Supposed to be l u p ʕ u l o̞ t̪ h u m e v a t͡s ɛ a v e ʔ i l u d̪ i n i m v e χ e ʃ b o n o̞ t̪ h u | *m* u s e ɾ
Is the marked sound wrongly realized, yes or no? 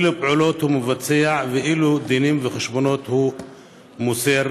no